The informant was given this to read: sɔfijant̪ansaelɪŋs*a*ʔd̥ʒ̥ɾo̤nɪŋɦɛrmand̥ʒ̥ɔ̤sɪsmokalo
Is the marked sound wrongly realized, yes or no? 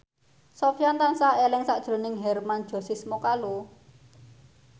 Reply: no